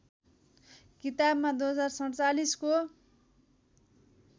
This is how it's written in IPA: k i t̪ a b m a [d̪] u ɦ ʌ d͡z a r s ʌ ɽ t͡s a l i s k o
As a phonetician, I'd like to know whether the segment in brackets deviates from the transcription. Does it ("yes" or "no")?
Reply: no